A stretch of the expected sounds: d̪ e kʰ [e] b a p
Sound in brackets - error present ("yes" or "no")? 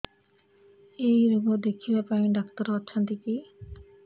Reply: yes